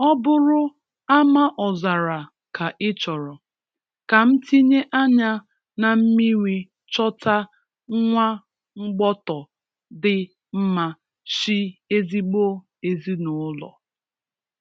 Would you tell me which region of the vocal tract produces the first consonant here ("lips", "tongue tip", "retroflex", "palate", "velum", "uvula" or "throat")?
lips